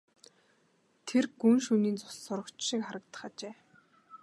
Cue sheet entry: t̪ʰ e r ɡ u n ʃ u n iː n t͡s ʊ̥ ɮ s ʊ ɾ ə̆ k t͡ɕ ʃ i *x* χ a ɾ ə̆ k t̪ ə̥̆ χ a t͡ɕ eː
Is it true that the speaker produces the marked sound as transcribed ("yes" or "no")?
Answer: no